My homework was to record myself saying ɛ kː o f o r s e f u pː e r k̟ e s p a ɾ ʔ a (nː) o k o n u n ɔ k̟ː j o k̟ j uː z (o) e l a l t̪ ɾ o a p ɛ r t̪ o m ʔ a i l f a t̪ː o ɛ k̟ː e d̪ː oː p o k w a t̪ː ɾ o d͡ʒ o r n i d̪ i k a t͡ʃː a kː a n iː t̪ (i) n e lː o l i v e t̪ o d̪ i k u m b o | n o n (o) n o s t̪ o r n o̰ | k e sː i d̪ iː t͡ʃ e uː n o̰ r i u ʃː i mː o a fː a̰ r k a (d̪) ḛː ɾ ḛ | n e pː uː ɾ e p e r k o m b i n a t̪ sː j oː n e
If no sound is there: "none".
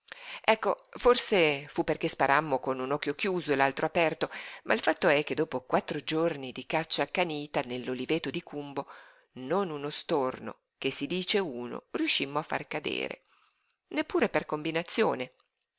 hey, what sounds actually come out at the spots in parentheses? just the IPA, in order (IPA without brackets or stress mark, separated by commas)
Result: mː, o, a, u, d̪